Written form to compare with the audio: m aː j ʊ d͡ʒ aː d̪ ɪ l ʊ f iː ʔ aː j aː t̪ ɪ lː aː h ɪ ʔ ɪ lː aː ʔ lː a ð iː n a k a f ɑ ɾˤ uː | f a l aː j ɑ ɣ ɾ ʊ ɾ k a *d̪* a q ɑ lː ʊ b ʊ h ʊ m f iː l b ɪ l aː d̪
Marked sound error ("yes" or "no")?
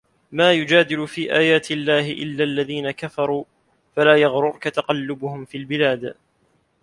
yes